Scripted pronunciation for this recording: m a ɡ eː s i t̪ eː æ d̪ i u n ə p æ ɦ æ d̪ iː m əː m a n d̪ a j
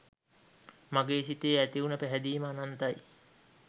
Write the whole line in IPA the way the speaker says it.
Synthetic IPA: m a ɡ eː s i t̪ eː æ t̪ i u n ə p æ ɦ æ d̪ iː m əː n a n t̪ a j